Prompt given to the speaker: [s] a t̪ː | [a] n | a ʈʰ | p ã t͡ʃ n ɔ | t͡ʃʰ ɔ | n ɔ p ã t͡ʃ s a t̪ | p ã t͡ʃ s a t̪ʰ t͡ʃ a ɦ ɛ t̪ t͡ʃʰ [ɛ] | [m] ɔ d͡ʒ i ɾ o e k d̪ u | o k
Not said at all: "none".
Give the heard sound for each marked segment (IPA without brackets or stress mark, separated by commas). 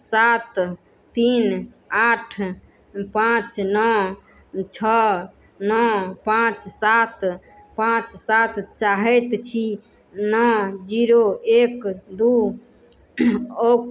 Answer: s, i, i, n